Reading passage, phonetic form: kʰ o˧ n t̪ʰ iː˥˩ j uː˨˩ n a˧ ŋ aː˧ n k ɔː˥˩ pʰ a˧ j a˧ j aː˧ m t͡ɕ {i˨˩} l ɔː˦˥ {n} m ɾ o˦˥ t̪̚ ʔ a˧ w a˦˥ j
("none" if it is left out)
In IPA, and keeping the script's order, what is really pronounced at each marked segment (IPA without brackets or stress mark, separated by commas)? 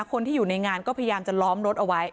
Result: a˨˩, none